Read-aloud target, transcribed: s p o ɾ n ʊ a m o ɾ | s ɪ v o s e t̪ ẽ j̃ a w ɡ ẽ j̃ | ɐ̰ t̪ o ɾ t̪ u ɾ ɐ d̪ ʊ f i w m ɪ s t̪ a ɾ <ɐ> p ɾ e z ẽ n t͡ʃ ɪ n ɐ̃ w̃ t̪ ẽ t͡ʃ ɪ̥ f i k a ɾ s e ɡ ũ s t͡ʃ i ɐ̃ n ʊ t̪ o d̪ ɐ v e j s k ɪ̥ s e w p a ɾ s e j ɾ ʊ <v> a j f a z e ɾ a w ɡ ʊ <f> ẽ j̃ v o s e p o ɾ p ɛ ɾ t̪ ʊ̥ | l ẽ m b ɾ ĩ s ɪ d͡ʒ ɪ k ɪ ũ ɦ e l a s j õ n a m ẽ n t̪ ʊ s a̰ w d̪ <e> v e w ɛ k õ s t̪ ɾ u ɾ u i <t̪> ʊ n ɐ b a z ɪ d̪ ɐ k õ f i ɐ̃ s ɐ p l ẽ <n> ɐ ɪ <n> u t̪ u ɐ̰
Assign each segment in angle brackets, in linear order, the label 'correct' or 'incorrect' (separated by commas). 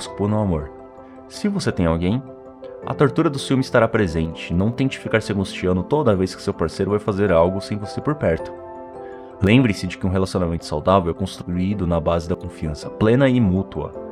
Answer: incorrect, correct, incorrect, incorrect, incorrect, correct, incorrect